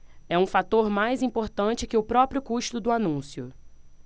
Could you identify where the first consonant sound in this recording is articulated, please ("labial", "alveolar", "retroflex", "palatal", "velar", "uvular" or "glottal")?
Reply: labial